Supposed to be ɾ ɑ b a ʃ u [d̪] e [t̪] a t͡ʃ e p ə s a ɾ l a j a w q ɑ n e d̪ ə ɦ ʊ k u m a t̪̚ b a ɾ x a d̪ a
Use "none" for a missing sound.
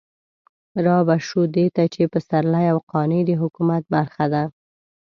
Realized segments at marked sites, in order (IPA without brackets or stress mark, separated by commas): d̪, t̪